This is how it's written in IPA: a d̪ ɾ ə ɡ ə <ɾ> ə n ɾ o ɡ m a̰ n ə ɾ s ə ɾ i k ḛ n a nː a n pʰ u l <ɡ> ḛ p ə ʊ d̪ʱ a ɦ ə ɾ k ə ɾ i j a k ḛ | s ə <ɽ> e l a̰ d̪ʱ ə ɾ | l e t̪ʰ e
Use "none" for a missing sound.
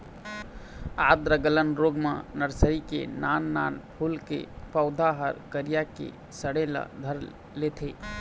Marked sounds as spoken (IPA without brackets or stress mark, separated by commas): l, k, ɽ